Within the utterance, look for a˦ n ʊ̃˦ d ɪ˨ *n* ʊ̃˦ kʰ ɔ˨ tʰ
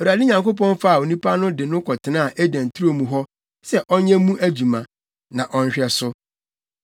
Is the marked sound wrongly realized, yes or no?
no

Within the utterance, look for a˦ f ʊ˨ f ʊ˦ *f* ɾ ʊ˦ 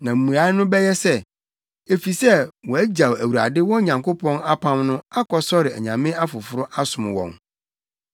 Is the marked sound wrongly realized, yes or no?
yes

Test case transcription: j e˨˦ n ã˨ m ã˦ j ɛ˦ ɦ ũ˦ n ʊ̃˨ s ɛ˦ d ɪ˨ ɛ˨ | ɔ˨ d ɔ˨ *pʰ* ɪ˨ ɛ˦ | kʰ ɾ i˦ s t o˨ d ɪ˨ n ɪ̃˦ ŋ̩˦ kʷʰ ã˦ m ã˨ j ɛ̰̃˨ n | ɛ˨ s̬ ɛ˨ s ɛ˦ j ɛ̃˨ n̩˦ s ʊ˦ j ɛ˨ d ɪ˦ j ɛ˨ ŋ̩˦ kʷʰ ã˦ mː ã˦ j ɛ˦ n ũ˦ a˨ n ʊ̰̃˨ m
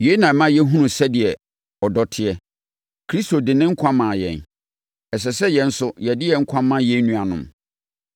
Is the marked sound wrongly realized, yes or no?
yes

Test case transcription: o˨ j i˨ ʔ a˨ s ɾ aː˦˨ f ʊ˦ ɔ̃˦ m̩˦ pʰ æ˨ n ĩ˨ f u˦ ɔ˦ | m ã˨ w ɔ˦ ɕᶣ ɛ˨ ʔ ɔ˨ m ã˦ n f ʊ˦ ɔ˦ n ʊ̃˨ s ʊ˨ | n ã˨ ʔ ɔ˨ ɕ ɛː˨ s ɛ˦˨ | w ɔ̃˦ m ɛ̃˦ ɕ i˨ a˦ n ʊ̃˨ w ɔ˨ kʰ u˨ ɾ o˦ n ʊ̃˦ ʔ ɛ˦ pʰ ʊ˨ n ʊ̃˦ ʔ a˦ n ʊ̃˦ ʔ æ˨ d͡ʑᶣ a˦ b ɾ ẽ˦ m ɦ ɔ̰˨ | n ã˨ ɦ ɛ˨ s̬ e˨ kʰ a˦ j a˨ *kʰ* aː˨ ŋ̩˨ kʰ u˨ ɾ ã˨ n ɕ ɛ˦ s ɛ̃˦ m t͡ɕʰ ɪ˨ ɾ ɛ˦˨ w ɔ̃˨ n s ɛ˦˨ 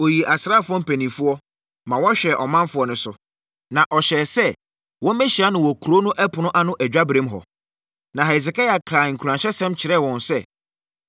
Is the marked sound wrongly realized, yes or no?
no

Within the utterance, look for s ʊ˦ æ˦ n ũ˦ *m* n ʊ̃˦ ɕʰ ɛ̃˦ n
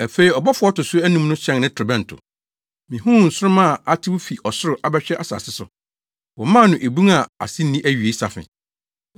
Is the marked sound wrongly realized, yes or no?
no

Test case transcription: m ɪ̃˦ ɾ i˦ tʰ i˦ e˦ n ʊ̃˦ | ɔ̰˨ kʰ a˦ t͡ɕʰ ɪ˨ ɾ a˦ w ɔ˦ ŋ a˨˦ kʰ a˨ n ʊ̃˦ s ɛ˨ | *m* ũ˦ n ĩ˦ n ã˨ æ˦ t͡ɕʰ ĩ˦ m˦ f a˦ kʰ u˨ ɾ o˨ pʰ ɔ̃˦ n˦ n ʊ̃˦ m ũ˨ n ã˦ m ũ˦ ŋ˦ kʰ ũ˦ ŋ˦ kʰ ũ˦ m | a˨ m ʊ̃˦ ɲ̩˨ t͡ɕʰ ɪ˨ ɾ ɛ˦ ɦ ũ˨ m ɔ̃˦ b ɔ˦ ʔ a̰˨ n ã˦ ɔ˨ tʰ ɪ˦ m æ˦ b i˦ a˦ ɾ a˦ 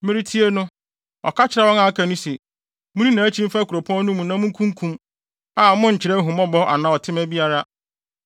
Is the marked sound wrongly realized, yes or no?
no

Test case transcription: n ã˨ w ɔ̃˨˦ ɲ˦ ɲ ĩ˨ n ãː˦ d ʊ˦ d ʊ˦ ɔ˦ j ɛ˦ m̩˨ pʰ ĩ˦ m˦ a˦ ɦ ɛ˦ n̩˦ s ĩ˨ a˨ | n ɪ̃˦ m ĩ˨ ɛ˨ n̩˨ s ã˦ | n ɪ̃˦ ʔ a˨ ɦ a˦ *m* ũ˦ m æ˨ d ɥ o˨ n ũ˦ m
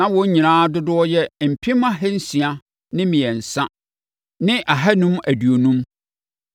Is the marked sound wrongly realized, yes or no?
yes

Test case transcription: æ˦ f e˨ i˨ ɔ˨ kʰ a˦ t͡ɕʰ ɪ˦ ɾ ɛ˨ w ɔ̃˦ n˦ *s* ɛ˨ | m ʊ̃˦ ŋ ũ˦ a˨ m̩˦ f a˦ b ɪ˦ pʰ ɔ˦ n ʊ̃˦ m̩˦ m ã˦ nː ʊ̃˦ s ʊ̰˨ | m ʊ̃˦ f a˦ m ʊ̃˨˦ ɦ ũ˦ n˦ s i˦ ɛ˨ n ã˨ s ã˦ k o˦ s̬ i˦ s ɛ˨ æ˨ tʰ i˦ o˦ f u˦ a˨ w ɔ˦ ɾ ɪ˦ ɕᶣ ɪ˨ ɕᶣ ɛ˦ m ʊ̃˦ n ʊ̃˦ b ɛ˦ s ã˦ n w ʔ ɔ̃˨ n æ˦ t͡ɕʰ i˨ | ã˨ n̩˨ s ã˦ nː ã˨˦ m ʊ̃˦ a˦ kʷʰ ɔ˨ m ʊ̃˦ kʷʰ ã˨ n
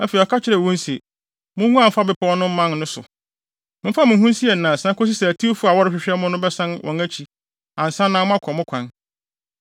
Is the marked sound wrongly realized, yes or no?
no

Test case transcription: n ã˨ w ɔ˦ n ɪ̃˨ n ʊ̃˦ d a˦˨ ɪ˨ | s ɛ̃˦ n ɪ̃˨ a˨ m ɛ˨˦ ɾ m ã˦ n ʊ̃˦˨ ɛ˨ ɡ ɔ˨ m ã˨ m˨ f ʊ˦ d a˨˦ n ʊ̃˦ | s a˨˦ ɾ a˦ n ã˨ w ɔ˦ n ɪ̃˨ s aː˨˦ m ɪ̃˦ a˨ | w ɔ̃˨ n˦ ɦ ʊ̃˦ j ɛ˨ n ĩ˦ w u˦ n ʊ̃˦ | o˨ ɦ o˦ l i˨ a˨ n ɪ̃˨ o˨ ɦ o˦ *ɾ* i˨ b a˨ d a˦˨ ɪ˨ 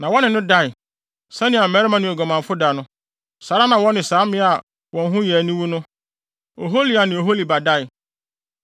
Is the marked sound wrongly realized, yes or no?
yes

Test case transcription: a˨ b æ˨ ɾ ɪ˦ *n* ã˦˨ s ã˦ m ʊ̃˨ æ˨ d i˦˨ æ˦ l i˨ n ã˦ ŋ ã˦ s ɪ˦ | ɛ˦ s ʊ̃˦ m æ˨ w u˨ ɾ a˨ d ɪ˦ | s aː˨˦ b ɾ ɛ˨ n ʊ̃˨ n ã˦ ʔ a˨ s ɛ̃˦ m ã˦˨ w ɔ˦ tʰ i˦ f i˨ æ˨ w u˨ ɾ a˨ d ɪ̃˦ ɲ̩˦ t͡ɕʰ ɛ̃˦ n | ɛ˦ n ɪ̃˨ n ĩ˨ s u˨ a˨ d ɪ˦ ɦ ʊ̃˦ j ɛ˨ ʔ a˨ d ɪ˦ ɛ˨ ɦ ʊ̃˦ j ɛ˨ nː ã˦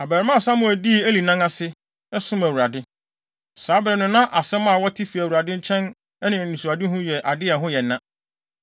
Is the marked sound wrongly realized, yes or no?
yes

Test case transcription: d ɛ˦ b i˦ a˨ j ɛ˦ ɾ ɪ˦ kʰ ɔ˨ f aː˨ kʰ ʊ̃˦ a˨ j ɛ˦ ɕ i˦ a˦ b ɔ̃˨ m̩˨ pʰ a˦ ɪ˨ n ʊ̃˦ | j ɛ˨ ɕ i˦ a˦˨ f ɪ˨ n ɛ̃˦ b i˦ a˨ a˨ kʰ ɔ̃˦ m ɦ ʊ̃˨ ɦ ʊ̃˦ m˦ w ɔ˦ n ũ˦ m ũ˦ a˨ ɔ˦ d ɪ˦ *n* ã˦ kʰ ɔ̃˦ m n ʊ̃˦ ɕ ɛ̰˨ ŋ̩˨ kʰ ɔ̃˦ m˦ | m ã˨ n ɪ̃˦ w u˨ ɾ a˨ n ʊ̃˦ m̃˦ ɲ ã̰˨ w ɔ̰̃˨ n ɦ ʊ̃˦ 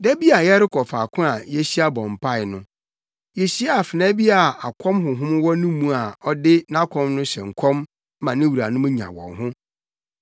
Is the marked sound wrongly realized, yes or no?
no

